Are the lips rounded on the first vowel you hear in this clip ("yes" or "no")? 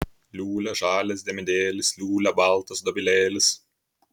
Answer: yes